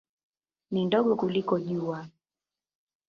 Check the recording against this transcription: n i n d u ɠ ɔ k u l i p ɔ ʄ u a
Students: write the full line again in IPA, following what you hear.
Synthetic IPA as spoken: n i n d ɔ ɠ ɔ k u l i k ɔ ʄ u a